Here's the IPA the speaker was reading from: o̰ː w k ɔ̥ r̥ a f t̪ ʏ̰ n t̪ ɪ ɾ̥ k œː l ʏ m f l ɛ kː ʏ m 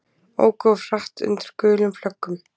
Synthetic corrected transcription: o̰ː w k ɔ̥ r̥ a h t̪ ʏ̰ n t̪ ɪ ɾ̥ k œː l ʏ m f l œ kː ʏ m